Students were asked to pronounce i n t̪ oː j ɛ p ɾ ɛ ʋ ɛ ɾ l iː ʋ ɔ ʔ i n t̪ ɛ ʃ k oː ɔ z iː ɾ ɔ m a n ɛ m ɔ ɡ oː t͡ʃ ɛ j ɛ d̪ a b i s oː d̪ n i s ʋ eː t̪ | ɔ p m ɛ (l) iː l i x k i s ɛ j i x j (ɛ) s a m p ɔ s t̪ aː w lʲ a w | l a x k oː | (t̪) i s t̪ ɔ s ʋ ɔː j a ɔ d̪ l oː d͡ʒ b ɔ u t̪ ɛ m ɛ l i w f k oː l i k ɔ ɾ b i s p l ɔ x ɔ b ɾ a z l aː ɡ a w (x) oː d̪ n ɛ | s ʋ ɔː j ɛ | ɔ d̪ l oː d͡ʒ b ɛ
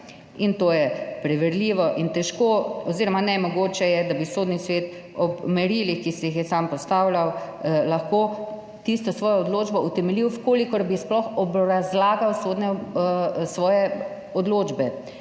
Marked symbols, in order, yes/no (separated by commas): no, yes, yes, no